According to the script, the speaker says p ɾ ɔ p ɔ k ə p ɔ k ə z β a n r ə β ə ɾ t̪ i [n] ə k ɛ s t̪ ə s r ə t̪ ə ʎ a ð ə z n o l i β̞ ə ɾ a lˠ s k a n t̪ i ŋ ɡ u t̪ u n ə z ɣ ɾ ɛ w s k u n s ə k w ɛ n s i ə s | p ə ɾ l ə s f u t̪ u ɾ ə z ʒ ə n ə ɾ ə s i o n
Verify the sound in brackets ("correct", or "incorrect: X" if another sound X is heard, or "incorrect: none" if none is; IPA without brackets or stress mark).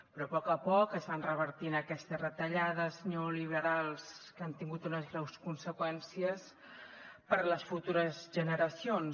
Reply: correct